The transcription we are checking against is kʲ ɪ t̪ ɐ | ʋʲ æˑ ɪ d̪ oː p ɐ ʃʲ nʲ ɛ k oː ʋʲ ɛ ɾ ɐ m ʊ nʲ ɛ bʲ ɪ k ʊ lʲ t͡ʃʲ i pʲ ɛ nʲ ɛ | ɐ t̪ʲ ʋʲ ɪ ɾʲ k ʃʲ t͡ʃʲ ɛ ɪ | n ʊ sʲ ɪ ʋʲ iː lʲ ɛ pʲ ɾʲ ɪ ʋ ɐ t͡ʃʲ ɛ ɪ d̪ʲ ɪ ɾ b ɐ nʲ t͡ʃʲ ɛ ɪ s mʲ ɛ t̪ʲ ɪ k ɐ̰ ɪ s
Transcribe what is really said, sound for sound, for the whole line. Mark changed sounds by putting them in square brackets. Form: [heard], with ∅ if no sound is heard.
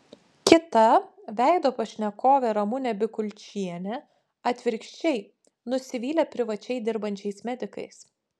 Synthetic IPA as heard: kʲ ɪ t̪ ɐ | ʋʲ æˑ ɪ d̪ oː p ɐ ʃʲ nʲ ɛ k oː ʋʲ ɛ ɾ ɐ m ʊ nʲ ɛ bʲ ɪ k ʊ lʲ t͡ʃʲ i [∅] ɛ nʲ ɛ | ɐ t̪ʲ ʋʲ ɪ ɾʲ k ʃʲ t͡ʃʲ ɛ ɪ | n ʊ sʲ ɪ ʋʲ iː lʲ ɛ pʲ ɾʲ ɪ ʋ ɐ t͡ʃʲ ɛ ɪ d̪ʲ ɪ ɾ b ɐ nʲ t͡ʃʲ ɛ ɪ s mʲ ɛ [d̪ʲ] ɪ k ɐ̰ ɪ s